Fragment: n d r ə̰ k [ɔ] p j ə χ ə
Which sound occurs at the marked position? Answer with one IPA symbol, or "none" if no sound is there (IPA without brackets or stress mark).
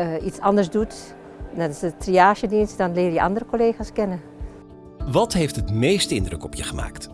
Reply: ɔ